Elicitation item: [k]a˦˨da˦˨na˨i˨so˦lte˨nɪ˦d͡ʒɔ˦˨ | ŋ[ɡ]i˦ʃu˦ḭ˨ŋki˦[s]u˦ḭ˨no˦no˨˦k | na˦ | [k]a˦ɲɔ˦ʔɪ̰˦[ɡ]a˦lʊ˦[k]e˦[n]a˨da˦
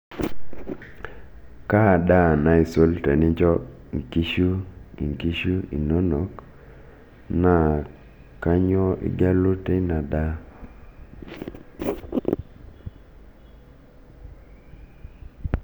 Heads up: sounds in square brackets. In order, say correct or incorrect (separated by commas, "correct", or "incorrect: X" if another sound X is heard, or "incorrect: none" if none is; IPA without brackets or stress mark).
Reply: correct, incorrect: k, incorrect: ʃ, correct, correct, incorrect: t, correct